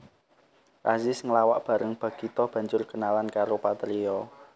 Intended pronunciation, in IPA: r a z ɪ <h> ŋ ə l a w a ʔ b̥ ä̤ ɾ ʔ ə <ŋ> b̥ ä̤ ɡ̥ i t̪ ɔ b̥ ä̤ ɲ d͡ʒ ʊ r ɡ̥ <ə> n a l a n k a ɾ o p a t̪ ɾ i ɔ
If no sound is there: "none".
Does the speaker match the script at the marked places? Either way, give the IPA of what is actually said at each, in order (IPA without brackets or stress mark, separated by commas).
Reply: s, ŋ, ə